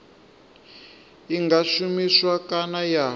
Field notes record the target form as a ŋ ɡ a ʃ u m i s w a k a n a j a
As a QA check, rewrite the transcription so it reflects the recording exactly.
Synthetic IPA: i ŋ ɡ a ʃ u m i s w a k a n a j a